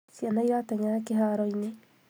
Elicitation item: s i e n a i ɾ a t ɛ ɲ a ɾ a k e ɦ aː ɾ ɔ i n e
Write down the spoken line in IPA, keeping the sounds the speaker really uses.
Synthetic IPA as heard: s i a n a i ɾ a t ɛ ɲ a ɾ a k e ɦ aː ɾ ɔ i n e